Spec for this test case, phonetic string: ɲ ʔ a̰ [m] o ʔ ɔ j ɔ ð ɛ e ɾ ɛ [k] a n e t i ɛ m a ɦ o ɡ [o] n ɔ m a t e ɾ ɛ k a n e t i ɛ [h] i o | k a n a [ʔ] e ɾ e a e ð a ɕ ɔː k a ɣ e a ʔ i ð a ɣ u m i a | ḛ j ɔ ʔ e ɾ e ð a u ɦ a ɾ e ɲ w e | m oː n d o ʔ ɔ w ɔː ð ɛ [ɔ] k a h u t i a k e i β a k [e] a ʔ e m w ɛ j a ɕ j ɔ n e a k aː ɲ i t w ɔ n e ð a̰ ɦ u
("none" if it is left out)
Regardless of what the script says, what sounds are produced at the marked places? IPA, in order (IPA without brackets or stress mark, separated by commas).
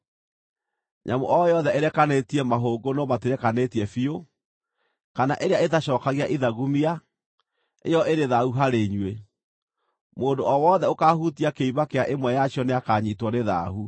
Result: m, k, o, f, ʔ, o, e